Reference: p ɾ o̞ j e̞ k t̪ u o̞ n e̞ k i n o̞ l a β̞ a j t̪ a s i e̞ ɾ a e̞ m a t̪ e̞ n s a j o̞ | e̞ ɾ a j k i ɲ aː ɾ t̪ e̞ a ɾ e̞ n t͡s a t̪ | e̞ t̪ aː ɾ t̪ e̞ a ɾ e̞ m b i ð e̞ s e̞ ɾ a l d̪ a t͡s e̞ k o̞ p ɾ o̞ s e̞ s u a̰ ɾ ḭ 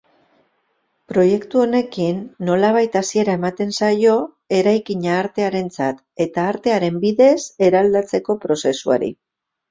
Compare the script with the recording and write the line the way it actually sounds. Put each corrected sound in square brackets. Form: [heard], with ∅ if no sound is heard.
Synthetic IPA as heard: p ɾ o̞ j e̞ k t̪ u o̞ n e̞ k i [nː] o̞ l a β̞ a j t̪ a s i e̞ ɾ a e̞ m a t̪ e̞ n s a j o̞ | e̞ ɾ a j k i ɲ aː ɾ t̪ e̞ a ɾ e̞ n t͡s a t̪ | e̞ t̪ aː ɾ t̪ e̞ a ɾ e̞ m b i ð e̞ s e̞ ɾ a l d̪ a t͡s e̞ k o̞ p ɾ o̞ s e̞ s u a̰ ɾ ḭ